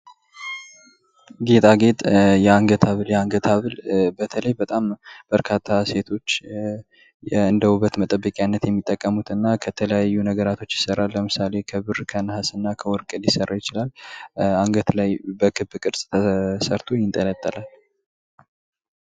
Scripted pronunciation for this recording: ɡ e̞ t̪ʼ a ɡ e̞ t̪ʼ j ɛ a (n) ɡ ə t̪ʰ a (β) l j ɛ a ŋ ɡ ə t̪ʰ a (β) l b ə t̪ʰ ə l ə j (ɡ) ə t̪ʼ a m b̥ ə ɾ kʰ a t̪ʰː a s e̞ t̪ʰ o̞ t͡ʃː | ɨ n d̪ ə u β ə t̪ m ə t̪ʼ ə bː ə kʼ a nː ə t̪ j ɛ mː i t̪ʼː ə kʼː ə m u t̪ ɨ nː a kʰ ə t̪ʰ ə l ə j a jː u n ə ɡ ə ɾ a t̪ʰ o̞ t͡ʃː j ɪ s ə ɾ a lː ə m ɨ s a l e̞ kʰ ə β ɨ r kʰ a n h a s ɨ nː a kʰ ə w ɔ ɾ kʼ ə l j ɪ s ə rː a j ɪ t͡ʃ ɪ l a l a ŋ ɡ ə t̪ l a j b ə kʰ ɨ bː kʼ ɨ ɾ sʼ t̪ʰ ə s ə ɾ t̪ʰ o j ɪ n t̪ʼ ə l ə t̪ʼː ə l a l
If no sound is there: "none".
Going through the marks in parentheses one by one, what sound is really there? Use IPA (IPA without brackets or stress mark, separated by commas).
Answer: ŋ, β, β, b